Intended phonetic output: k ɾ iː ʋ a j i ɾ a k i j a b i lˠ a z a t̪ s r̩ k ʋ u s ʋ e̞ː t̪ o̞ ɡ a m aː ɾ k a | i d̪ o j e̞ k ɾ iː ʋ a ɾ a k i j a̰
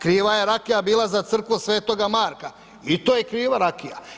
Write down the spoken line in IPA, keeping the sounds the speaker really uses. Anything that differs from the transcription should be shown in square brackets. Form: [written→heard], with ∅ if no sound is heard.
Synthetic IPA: k ɾ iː ʋ a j [i→e] ɾ a k i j a b [i→iː] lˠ a z a t̪ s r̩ k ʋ u s ʋ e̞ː t̪ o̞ ɡ a m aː ɾ k a | i [d̪→t̪] o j e̞ k ɾ iː ʋ a ɾ a k i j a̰